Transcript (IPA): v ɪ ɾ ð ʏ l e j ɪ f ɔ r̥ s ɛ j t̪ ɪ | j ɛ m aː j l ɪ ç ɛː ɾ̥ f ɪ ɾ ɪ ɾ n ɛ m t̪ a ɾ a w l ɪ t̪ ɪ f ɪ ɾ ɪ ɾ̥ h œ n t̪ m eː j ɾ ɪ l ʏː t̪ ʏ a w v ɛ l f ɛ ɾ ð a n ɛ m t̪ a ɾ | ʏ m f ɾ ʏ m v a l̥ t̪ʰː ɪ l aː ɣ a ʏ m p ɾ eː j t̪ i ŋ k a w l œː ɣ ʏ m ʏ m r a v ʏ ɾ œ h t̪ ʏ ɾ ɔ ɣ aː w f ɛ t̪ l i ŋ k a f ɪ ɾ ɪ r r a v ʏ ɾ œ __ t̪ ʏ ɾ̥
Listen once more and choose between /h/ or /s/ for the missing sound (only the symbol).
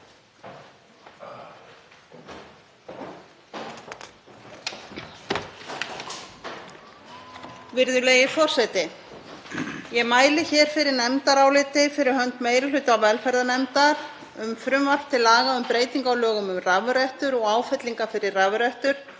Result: h